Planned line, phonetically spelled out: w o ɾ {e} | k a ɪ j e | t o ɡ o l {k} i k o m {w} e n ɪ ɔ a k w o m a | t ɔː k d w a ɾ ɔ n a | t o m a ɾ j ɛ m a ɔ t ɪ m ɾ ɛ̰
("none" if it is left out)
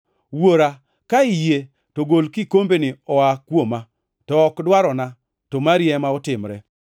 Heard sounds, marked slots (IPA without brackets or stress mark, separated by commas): a, k, b